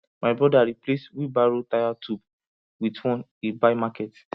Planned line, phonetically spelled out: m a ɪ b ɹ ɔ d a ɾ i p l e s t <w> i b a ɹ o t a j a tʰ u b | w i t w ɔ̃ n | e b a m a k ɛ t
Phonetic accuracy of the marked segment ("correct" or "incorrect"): correct